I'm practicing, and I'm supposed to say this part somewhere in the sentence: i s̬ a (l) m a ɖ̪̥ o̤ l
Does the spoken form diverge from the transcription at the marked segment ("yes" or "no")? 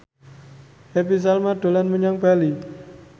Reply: no